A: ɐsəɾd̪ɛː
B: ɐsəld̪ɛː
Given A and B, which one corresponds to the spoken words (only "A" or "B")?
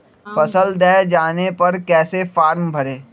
B